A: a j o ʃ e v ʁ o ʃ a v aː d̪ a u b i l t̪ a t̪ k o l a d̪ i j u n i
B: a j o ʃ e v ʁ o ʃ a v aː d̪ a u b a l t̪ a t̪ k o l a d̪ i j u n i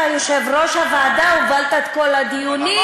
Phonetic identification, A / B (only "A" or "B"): B